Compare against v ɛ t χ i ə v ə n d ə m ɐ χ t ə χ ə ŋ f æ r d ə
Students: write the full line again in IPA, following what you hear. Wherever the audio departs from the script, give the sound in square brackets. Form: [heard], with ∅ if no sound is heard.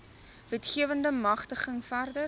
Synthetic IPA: v ɛ t χ i ə v ə n d ə m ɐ χ t ə χ ə ŋ f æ r d ə